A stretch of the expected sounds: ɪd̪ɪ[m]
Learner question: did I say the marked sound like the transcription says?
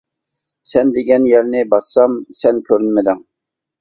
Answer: no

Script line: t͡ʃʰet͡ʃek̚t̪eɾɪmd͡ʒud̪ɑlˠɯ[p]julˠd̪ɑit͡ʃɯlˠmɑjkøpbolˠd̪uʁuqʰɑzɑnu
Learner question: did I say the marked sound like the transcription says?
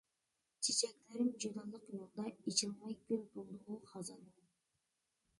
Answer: no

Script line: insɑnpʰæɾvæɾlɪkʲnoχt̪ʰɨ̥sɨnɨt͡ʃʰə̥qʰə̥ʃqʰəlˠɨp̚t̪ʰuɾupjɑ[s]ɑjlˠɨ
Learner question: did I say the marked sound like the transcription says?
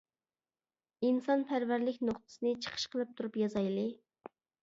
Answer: no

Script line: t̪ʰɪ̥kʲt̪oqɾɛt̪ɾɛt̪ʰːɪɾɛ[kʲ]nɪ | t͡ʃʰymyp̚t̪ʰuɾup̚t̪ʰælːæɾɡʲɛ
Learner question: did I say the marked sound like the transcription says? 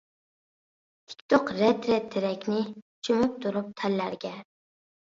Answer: yes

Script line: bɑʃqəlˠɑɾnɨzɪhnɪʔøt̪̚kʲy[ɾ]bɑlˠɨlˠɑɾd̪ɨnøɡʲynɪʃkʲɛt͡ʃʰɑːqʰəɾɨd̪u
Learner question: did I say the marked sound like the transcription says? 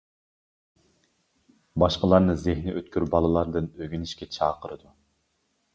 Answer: yes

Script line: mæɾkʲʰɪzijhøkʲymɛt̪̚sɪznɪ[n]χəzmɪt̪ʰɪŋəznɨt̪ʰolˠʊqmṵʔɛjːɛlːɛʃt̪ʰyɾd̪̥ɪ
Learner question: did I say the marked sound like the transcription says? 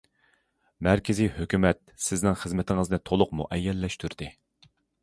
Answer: no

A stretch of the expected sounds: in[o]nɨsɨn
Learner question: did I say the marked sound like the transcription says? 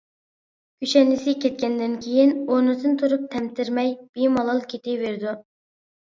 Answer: yes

